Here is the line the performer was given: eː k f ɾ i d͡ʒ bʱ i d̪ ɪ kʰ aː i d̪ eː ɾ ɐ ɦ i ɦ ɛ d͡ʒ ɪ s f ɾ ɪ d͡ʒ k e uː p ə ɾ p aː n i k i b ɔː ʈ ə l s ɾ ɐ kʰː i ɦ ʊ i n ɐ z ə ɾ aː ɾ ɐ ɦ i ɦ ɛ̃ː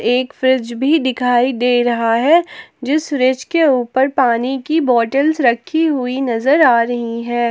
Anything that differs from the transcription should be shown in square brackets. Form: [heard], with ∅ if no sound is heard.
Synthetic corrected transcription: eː k f ɾ [ɪ] d͡ʒ bʱ i d̪ ɪ kʰ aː i d̪ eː ɾ ɐ ɦ [a] ɦ ɛ d͡ʒ ɪ s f ɾ ɪ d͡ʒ k e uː p ə ɾ p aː n i k i b ɔː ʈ ə l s ɾ ɐ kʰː i ɦ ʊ i n ɐ z ə ɾ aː ɾ ɐ ɦ i ɦ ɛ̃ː